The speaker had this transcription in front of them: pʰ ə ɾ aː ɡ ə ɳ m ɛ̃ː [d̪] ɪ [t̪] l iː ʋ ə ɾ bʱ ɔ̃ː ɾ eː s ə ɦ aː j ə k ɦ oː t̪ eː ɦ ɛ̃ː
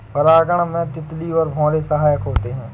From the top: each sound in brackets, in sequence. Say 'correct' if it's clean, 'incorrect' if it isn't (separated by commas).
incorrect, correct